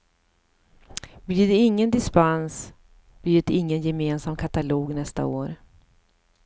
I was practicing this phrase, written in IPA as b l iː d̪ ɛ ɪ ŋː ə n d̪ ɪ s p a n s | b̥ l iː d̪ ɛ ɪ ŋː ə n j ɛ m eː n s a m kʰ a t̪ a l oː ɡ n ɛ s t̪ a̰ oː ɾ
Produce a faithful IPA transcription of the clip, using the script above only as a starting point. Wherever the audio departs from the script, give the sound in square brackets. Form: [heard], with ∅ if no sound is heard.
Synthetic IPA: b l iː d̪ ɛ ɪ ŋː ə n d̪ ɪ s p a n s | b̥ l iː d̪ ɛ ɪ ŋː ə n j ɛ m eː n s a m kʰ a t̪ a l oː ɡ n ɛ s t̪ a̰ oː ɾ